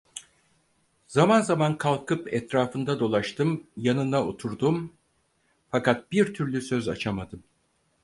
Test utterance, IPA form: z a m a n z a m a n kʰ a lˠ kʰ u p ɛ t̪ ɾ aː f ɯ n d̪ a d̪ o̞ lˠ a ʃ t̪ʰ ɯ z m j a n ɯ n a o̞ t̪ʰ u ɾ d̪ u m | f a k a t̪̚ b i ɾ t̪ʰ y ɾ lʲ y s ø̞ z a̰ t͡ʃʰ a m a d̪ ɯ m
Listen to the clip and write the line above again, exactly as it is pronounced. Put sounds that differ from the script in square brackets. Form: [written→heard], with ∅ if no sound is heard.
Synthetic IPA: z a m a n z a m a n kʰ a lˠ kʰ [u→ɯ] p ɛ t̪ ɾ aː f ɯ n d̪ a d̪ o̞ lˠ a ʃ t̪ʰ ɯ [z→∅] m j a n ɯ n a o̞ t̪ʰ u ɾ d̪ u m | f a k a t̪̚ b i ɾ t̪ʰ y ɾ lʲ y s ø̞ z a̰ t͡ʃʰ a m a d̪ ɯ m